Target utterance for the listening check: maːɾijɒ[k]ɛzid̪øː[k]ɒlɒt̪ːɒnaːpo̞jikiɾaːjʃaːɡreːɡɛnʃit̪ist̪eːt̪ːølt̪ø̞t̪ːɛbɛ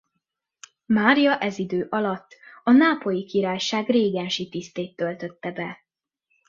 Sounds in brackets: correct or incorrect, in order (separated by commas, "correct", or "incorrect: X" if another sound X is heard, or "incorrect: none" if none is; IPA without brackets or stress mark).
incorrect: ʔ, incorrect: ʔ